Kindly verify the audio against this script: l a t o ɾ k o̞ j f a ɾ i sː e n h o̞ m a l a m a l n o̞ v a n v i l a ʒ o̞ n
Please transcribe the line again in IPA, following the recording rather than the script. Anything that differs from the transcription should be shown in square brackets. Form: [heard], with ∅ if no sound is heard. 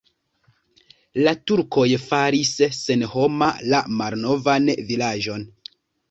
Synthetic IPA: l a t [u] ɾ k o̞ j f a ɾ i sː e n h o̞ m a l a m a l n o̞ v a n v i l a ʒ o̞ n